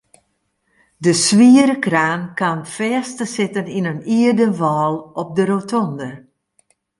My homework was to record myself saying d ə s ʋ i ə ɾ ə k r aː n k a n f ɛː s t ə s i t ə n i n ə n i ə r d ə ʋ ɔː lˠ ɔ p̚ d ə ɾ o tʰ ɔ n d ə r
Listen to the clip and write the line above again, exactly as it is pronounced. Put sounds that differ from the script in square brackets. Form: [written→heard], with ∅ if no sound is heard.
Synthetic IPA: d ə s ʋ i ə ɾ ə k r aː n k a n f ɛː s t ə s [i→ɪ] t ə n i n ə n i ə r d ə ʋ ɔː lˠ ɔ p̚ d ə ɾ o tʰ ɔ n d ə r